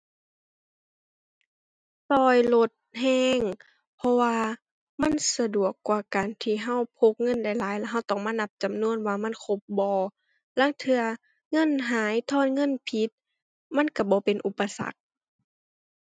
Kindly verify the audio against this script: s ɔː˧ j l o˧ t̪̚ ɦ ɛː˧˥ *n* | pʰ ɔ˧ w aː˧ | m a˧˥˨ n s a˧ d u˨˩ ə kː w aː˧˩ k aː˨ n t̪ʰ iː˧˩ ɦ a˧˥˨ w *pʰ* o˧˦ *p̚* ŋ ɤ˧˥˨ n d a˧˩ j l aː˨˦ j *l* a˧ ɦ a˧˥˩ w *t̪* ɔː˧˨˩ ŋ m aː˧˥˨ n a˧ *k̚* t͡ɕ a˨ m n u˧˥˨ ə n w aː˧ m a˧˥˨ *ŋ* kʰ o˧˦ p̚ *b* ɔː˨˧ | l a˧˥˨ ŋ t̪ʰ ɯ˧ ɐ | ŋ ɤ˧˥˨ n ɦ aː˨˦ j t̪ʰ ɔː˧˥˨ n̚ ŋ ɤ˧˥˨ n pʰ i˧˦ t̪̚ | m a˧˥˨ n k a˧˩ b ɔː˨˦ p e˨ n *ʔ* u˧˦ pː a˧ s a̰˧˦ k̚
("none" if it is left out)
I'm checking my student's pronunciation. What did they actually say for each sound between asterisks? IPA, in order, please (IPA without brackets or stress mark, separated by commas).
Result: ŋ, pʰ, k̚, l, t̪, p̚, n, b, ʔ